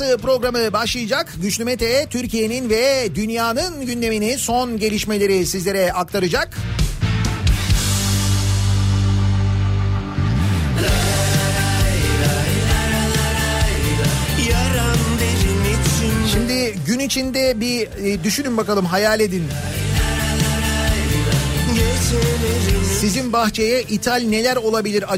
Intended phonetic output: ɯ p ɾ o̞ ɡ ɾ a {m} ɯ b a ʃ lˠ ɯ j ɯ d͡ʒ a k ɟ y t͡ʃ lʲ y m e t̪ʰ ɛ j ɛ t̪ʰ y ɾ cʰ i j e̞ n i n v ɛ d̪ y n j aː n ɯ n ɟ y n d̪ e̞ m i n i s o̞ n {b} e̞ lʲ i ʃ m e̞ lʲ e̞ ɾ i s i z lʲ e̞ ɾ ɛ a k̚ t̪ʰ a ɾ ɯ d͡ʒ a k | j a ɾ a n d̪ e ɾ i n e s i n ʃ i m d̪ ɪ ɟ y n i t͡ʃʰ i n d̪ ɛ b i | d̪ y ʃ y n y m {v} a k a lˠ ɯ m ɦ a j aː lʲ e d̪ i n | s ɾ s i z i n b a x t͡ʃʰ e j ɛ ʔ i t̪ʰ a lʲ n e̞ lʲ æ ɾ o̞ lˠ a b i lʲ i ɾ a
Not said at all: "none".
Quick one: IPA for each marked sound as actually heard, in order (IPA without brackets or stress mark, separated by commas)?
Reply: m, ɟ, b